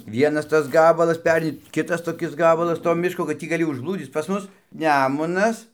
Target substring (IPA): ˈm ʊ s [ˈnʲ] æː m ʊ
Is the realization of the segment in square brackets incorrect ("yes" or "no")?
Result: no